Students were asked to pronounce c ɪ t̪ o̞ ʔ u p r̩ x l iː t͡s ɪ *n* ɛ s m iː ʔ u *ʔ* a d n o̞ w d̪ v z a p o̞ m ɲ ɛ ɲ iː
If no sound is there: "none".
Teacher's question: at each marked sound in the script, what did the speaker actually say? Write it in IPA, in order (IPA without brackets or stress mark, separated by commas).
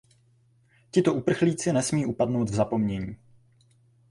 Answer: n, p